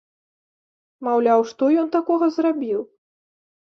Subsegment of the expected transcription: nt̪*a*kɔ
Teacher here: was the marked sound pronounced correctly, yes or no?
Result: yes